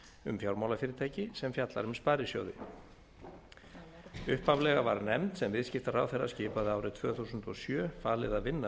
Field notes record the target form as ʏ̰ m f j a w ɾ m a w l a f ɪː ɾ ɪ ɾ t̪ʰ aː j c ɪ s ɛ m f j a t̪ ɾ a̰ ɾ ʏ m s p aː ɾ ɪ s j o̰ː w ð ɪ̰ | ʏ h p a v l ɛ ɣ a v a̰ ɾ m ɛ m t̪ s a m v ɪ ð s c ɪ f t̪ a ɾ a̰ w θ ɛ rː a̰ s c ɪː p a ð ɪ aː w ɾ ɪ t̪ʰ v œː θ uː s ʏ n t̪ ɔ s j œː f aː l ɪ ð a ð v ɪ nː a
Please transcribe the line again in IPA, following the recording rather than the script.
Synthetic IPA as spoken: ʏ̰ m f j a w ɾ m a w l a f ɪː ɾ ɪ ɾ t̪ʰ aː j c ɪ s ɛ m f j a t̪ l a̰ ɾ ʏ m s p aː ɾ ɪ s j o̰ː w ð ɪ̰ | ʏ h p a v l ɛ ɣ a v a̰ ɾ n ɛ m t̪ s ɛ m v ɪ ð s c ɪ f t̪ a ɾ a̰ w θ ɛ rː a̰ s c ɪː p a ð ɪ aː w ɾ ɪ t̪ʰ v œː θ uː s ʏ n t̪ ɔ s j œː f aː l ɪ ð a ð v ɪ nː a